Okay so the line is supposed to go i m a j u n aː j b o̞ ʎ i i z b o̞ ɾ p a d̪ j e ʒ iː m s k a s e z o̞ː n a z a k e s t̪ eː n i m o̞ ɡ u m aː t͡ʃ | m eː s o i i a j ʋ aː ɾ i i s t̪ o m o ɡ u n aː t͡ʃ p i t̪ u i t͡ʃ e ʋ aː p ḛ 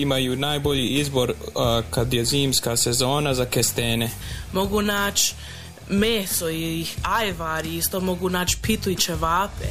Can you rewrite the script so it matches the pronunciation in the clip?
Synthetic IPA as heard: i m a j u n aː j b o̞ ʎ i i z b o̞ ɾ k a d̪ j e z iː m s k a s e z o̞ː n a z a k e s t̪ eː n e m o̞ ɡ u n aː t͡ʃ | m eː s o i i a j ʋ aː ɾ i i s t̪ o m o ɡ u n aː t͡ʃ p i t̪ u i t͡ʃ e ʋ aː p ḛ